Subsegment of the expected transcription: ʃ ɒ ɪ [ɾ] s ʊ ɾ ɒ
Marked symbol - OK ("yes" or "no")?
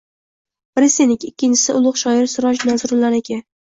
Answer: yes